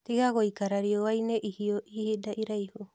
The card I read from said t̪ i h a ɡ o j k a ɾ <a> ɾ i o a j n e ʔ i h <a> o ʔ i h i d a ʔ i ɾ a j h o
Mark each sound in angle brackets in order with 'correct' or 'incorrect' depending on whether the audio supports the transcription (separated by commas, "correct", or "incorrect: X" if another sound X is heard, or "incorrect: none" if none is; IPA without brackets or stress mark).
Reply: correct, incorrect: i